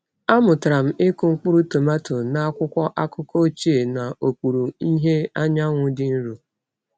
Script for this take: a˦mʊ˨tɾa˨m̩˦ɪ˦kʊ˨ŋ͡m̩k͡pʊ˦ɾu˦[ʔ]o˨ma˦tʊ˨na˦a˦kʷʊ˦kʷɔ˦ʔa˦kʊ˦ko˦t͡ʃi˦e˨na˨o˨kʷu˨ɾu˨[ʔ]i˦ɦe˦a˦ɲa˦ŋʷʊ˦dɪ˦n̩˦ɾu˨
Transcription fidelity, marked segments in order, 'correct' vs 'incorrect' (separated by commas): incorrect, incorrect